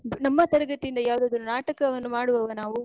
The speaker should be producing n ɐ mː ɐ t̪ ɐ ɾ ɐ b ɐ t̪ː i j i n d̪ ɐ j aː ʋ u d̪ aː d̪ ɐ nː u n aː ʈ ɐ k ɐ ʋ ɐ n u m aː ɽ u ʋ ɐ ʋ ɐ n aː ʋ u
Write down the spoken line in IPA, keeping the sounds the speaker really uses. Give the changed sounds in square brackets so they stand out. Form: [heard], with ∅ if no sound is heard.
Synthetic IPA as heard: n ɐ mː ɐ t̪ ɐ ɾ ɐ [ɡ] ɐ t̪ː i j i n d̪ ɐ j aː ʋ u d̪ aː d̪ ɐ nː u n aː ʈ ɐ k ɐ ʋ ɐ [nː] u m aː ɽ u ʋ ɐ ʋ ɐ n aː ʋ u